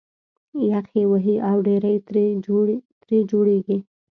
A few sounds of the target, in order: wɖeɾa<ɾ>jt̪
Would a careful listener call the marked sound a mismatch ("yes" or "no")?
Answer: yes